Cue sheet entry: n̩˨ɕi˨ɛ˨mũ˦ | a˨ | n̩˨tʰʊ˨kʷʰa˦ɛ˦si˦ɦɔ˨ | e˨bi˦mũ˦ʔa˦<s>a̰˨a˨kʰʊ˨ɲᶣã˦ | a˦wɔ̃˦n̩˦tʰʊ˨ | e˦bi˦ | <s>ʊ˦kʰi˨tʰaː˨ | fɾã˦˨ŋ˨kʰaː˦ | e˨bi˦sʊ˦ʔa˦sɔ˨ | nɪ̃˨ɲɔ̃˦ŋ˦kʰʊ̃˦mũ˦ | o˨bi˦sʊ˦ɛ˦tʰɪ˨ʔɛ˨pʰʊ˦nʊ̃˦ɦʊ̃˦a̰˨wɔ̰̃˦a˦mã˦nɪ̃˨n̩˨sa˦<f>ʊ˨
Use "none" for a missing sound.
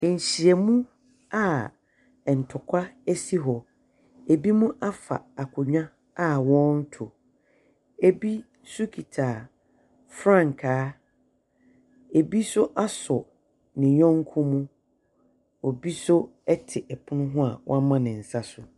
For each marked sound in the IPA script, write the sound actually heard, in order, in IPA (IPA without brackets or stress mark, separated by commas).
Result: f, s, s